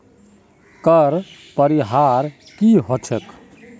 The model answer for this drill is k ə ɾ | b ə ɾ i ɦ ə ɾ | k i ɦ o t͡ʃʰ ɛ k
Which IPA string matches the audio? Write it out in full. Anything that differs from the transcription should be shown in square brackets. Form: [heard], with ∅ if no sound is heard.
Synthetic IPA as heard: k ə ɾ | [p] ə ɾ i ɦ [a] ɾ | k i ɦ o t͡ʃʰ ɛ k